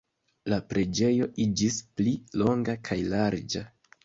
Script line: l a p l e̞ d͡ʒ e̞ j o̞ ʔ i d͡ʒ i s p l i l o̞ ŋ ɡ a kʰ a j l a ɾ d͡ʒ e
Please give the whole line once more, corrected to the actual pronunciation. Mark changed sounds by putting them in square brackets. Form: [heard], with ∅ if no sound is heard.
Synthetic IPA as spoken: l a p [ɾ] e̞ d͡ʒ e̞ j o̞ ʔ i d͡ʒ i s p l i l o̞ ŋ ɡ a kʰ a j l a ɾ d͡ʒ [a]